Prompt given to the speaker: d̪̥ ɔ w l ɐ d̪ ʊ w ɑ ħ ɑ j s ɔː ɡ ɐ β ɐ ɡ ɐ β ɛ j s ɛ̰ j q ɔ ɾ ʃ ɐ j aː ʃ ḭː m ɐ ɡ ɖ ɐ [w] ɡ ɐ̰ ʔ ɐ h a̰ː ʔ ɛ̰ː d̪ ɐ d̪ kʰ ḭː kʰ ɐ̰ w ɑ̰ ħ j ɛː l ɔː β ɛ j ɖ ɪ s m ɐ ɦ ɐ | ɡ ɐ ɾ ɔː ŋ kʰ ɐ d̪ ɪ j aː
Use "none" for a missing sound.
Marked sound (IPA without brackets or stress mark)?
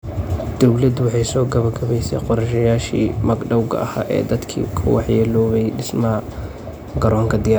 w